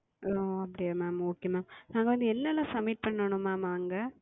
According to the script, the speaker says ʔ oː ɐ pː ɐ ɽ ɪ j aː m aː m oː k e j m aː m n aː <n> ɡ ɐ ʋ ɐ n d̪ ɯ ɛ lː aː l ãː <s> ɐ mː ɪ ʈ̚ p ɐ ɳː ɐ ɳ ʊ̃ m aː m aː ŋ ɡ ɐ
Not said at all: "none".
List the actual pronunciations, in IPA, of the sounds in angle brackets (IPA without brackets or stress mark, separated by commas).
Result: ŋ, s